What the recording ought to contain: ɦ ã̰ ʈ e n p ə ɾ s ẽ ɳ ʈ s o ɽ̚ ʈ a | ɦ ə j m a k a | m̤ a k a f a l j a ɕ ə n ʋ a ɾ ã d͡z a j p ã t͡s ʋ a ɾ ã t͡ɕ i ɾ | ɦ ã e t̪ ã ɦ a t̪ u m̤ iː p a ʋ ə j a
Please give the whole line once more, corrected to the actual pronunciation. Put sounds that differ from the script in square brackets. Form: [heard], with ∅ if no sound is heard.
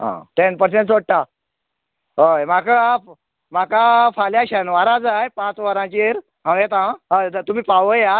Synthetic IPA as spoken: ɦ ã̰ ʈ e n p ə ɾ s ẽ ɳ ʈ s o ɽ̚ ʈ a | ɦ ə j m a k a | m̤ a k a f a l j a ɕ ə n ʋ a ɾ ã d͡z a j p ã t͡s ʋ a ɾ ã t͡ɕ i ɾ | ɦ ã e t̪ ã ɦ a t̪ u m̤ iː p a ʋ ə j a